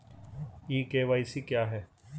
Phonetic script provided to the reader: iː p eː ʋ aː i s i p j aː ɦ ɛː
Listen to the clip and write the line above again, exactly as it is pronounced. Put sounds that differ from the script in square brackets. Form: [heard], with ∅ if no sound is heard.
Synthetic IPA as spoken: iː [k] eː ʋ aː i s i [k] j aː ɦ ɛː